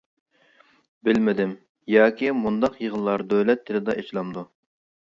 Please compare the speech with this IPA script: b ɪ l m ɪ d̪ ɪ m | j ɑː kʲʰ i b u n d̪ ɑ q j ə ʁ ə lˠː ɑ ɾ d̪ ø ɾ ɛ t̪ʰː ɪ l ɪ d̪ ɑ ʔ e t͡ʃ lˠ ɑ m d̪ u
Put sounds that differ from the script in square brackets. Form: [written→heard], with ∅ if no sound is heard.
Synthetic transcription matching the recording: b ɪ l m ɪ d̪ ɪ m | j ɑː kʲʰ i [b→m] u n d̪ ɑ q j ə ʁ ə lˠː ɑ ɾ d̪ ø [ɾ→l] ɛ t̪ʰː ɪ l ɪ d̪ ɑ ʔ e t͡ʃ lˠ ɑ m d̪ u